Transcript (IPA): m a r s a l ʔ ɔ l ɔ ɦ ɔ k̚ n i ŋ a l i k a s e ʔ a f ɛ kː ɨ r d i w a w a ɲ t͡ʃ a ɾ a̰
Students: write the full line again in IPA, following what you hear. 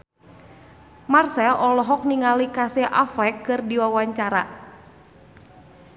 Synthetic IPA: m a r s ɛ l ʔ ɔ l ɔ ɦ ɔ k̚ n i ŋ a l i k a s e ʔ a f ɛ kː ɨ r d i w a w a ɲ t͡ʃ a ɾ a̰